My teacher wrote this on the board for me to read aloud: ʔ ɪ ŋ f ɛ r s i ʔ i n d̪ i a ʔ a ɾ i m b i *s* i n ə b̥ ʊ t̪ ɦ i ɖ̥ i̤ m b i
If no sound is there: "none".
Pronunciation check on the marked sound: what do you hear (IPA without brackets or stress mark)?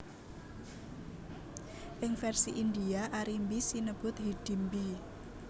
s